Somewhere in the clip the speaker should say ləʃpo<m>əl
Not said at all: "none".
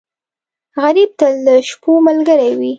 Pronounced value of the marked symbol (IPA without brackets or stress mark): m